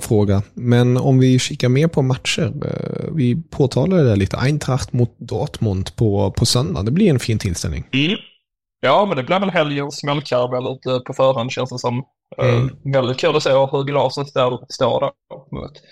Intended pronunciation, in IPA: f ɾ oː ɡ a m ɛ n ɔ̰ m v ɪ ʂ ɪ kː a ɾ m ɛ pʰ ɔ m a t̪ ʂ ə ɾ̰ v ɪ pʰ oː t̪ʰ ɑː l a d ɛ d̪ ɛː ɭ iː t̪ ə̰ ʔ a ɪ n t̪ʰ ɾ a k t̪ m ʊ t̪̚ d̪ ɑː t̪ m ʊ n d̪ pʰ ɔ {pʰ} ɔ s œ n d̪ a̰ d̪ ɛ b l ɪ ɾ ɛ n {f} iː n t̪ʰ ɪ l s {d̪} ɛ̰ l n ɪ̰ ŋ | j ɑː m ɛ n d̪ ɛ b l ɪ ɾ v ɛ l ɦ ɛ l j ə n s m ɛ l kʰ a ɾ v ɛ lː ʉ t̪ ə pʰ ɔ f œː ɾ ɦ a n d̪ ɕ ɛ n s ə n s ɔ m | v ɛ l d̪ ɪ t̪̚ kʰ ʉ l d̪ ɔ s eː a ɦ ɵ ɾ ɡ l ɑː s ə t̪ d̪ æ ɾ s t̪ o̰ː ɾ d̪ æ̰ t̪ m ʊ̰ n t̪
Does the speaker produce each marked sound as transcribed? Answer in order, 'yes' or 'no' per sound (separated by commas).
yes, yes, no